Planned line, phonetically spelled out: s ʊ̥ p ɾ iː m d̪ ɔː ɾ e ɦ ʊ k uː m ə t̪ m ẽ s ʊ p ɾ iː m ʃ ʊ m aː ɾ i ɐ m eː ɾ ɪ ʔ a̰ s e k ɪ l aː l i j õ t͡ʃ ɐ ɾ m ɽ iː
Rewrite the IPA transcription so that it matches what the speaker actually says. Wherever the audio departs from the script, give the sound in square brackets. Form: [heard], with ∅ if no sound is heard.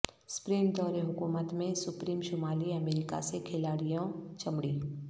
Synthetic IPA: s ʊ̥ p ɾ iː m d̪ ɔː ɾ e ɦ ʊ k uː m ə t̪ m ẽ s ʊ p ɾ iː m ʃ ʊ m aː [l] i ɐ m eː ɾ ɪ [k] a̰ s e [kʰ] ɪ l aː [ɽ] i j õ t͡ʃ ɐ [∅] m ɽ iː